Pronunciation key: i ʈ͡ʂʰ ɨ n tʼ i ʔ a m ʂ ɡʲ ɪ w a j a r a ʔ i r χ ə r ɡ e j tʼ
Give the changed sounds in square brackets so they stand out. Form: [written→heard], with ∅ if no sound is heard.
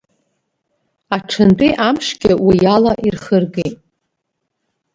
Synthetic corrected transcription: [i→a] ʈ͡ʂʰ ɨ n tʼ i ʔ a m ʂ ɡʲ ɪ w [a→i] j a [r→l] a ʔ i r χ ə r ɡ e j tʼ